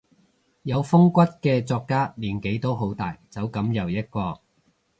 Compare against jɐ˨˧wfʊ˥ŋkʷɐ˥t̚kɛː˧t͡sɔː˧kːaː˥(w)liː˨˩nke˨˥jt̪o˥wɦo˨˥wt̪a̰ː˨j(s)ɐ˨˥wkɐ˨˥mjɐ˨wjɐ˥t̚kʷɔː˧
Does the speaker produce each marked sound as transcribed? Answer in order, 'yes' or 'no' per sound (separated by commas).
no, no